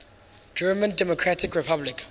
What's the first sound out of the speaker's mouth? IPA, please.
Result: d͡ʒ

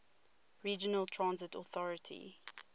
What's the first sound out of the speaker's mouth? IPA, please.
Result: ɹ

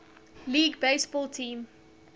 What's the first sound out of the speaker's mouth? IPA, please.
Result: l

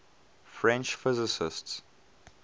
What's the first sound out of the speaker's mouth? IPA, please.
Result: f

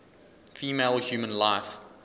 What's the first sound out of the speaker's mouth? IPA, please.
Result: f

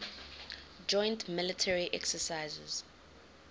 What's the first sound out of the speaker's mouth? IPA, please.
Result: d͡ʒ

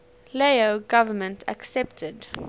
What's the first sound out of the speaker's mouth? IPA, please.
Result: l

